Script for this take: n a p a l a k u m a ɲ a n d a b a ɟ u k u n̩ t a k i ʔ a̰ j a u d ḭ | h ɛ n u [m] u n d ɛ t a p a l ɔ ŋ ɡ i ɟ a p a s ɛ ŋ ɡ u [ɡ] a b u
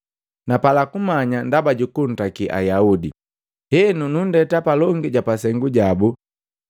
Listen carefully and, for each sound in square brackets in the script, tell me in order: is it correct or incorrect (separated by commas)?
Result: incorrect, incorrect